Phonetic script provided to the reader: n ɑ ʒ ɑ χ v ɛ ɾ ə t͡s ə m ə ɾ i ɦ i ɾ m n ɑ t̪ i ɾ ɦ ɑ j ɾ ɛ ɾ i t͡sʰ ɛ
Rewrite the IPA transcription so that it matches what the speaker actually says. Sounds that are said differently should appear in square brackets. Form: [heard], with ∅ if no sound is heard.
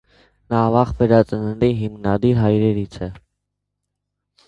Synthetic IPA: n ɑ [v] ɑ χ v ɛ ɾ [ɑ] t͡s ə [n] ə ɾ i ɦ i [∅] m n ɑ [d̪] i ɾ ɦ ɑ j ɾ ɛ ɾ i t͡sʰ ɛ